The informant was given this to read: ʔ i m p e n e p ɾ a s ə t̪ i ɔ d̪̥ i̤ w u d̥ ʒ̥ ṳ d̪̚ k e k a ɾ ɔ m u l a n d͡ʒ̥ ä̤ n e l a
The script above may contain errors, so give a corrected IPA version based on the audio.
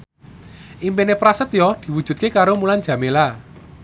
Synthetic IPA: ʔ i m p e n e p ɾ a s ə t̪ j ɔ d̪̥ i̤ w u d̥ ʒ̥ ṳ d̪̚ k e k a ɾ o m u l a n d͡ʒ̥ ä̤ m e l a